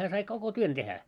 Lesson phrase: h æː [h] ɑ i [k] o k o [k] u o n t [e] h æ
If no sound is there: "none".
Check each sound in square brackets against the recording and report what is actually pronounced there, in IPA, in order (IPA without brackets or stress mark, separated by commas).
s, k, t, e